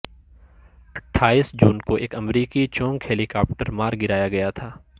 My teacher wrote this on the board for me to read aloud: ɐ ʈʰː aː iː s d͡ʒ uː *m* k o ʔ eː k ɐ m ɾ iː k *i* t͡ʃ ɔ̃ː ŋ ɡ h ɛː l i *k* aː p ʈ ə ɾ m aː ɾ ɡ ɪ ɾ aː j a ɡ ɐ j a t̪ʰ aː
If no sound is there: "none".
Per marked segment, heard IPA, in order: n, i, k

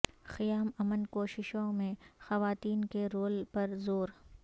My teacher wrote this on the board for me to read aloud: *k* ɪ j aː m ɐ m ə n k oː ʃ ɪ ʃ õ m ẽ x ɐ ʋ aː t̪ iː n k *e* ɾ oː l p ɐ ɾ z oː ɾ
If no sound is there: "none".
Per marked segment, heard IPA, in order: x, e

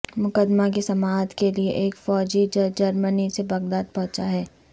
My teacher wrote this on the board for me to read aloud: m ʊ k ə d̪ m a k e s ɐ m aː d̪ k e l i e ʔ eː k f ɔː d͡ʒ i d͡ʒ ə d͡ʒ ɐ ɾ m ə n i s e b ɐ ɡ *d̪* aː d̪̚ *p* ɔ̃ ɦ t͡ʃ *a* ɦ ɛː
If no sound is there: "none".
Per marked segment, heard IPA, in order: d̪, p, a

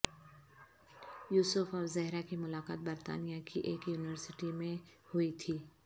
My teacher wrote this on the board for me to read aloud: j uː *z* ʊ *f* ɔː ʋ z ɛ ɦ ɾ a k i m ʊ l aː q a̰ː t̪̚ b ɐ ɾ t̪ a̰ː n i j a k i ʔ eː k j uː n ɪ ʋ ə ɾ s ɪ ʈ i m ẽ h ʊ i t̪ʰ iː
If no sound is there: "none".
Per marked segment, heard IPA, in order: s, f

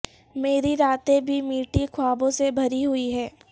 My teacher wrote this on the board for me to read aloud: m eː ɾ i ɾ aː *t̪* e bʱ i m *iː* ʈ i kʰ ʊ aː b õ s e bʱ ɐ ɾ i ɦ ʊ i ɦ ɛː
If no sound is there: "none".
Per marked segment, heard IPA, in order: t̪, iː

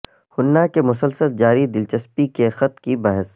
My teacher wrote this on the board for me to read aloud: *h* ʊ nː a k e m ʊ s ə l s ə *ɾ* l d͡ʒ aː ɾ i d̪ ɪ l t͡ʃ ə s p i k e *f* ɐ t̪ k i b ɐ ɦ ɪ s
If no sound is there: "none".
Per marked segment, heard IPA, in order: h, none, x

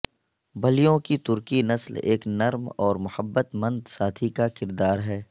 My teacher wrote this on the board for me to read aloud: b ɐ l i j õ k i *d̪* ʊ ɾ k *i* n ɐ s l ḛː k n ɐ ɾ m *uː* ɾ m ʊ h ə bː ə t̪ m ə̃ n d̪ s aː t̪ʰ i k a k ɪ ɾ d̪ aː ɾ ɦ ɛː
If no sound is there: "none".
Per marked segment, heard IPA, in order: t̪, i, ɔː

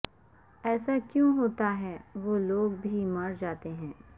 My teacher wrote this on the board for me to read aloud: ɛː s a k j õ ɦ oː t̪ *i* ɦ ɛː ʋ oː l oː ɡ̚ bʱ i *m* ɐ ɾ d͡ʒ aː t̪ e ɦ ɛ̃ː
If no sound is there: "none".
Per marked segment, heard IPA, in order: a, m

